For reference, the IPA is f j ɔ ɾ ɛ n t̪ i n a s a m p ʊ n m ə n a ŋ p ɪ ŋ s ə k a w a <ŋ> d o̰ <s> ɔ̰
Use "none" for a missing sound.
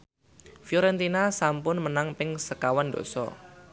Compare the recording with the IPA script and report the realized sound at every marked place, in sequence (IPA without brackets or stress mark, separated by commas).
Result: n, s